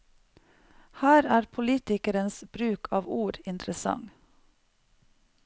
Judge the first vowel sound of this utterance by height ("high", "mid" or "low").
low